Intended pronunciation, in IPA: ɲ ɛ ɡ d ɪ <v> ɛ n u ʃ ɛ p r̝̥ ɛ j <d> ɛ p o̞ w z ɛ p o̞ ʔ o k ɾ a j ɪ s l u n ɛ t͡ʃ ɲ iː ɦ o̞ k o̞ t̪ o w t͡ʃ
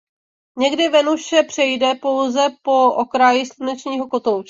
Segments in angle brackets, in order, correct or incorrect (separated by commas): correct, correct